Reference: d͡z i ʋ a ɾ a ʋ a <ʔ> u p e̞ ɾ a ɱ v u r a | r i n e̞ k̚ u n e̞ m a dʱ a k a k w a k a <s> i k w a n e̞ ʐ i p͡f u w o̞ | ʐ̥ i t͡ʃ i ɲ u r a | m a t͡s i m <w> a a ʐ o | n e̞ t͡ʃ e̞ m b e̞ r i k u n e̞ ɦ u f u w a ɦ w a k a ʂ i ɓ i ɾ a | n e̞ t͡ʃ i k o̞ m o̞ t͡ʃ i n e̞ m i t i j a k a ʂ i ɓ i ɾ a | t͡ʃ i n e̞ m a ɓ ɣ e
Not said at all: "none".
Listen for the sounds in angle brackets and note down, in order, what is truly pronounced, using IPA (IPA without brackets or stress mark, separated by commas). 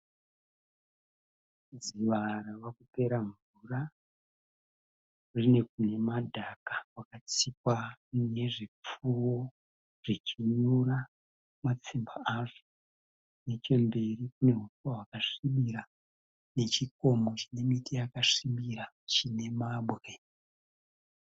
k, t͡s, b